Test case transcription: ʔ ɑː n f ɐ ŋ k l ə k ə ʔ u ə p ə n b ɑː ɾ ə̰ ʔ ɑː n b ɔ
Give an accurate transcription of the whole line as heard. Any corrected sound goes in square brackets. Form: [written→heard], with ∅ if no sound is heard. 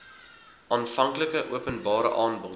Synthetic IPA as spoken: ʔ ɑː n f ɐ ŋ k l ə k ə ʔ u ə p ə n b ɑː ɾ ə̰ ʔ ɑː n b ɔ